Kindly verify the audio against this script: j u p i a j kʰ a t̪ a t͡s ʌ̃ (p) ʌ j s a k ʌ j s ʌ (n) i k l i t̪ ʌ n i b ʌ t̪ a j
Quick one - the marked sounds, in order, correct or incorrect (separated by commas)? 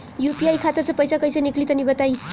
correct, correct